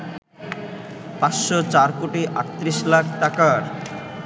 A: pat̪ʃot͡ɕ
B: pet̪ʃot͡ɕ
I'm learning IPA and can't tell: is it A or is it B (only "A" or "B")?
A